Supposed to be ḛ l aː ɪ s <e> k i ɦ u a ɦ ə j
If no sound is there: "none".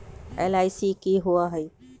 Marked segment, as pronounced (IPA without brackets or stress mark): i